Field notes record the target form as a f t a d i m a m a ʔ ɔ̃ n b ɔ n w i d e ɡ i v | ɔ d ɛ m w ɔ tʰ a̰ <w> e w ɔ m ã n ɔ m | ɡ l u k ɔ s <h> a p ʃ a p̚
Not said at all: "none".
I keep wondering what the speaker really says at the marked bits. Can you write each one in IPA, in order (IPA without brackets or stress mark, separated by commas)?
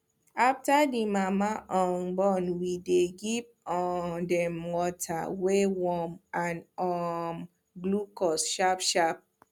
w, ʃ